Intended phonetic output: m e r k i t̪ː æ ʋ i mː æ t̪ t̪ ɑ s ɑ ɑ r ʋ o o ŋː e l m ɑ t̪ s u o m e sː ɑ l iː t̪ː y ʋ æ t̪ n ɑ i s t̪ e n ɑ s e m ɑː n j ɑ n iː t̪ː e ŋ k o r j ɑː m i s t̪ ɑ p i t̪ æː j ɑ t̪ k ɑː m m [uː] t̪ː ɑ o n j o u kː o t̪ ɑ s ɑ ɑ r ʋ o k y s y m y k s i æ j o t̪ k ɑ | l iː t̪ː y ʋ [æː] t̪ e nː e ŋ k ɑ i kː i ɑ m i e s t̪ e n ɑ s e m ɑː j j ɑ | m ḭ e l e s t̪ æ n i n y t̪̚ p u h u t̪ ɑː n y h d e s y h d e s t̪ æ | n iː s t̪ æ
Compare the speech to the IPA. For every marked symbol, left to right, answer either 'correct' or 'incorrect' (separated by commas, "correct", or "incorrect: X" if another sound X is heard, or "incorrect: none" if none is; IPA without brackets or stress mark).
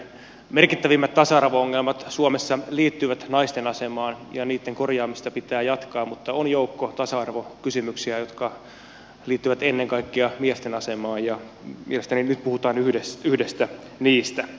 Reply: incorrect: u, incorrect: æ